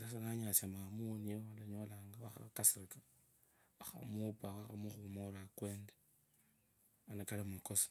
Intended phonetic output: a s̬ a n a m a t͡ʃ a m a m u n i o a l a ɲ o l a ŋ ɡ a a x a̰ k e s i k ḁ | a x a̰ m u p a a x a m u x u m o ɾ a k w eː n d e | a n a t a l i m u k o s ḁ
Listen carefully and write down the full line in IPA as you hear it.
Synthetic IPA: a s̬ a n a ɲ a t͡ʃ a m a m u n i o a l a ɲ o l a ŋ ɡ a a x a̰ k a s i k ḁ | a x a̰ m u p a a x a m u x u m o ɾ a k w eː n d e | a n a k a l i m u k o s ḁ